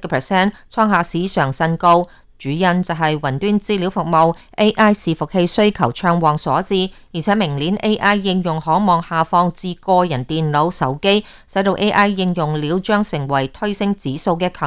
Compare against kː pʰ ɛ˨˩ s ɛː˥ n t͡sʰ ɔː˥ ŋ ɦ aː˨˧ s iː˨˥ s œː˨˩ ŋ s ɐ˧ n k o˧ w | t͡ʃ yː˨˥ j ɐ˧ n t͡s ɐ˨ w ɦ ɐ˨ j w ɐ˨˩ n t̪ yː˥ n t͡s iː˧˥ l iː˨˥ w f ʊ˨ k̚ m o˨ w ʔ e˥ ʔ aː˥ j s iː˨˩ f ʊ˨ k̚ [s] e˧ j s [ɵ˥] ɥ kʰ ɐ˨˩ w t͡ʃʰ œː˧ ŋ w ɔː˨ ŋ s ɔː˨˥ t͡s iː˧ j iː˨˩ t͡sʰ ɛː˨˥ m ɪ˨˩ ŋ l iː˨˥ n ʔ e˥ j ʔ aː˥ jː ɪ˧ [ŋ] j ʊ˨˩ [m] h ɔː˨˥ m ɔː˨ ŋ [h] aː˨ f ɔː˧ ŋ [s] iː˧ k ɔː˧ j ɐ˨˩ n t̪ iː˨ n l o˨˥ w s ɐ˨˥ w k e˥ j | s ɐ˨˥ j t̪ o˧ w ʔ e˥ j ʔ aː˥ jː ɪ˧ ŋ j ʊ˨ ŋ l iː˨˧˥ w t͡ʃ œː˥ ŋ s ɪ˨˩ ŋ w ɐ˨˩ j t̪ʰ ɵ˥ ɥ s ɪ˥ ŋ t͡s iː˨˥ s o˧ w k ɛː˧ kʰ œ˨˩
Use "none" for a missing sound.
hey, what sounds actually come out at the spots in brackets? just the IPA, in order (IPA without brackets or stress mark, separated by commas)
h, ɵ˥, ŋ, ŋ, h, t͡s